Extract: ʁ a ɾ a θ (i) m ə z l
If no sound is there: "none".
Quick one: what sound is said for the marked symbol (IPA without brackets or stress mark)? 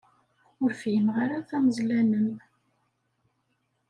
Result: æ